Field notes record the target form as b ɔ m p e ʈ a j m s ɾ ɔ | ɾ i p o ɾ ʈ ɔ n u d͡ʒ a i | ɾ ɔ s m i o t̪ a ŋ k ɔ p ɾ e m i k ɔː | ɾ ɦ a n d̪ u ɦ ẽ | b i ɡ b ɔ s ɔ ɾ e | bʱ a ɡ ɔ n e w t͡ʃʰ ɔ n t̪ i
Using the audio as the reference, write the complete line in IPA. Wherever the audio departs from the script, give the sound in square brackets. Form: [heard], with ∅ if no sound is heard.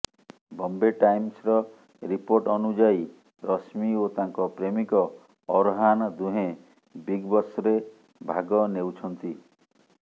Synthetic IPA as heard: b ɔ m [b] e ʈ a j m s ɾ ɔ | ɾ i p o ɾ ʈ ɔ n u d͡ʒ a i | ɾ ɔ s m i o t̪ a ŋ k ɔ p ɾ e m i k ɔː | ɾ ɦ a n d̪ u ɦ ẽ | b i ɡ b ɔ s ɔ ɾ e | bʱ a ɡ ɔ n e w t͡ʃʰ ɔ n t̪ i